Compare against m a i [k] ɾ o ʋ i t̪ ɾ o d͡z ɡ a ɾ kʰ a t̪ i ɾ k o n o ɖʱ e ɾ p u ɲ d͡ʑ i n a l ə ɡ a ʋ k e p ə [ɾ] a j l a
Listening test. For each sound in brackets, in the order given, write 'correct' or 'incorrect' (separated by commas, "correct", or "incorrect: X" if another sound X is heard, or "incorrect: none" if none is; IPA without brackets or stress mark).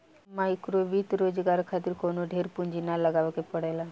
correct, incorrect: ɽ